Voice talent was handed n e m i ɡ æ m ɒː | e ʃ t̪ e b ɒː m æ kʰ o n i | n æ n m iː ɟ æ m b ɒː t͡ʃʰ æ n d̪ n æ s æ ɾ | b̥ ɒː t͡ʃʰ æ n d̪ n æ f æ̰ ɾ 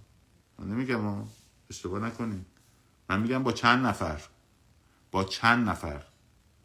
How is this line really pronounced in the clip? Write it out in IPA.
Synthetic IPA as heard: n e m i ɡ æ m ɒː | e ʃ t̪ e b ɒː n æ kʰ o n i | m æ n m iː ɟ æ m b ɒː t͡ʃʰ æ n d̪ n æ f æ ɾ | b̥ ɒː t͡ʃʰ æ n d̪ n æ f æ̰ ɾ